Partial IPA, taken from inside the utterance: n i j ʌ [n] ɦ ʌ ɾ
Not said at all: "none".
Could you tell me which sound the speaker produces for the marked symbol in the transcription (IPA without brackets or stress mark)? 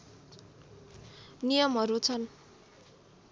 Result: m